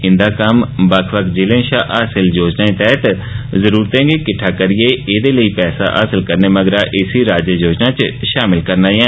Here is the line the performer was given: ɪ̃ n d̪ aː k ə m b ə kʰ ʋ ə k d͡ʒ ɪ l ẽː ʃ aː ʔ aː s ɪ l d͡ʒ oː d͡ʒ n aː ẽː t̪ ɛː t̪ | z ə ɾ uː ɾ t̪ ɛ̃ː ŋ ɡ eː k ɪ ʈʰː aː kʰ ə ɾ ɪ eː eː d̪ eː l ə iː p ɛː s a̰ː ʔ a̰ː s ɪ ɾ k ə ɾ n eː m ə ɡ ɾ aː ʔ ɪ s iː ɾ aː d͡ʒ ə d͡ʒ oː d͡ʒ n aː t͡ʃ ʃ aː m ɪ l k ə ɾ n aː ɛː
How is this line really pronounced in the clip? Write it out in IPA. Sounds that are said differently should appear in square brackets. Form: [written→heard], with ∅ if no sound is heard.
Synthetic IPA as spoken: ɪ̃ n d̪ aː k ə m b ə kʰ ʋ ə k d͡ʒ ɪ l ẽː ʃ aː ʔ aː s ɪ l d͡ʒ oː d͡ʒ n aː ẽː t̪ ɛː t̪ | z ə ɾ uː ɾ t̪ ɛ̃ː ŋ ɡ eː k ɪ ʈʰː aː [kʰ→k] ə ɾ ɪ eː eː d̪ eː l ə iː p ɛː s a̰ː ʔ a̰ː s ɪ [ɾ→l] k ə ɾ n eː m ə ɡ ɾ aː ʔ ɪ s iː ɾ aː d͡ʒ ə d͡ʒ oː d͡ʒ n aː t͡ʃ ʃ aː m ɪ l k ə ɾ n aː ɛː